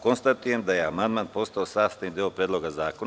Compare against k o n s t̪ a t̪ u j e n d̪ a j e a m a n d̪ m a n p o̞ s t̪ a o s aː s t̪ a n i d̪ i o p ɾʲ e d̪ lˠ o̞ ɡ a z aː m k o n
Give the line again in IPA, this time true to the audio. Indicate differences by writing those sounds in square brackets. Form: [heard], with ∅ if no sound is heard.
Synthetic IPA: k o n s t̪ a t̪ u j e [m] d̪ a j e a m a n d̪ m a n p o̞ s t̪ a o s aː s t̪ a n i d̪ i o p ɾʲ e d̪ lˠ o̞ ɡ a z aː [∅] k o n